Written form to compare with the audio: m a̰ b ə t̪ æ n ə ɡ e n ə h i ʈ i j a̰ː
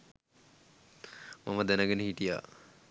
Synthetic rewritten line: m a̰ m ə d̪ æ n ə ɡ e n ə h i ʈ i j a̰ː